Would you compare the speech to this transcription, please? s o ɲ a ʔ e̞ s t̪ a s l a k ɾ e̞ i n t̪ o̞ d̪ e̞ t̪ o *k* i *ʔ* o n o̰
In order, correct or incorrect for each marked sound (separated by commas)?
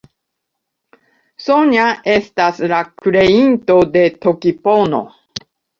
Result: correct, incorrect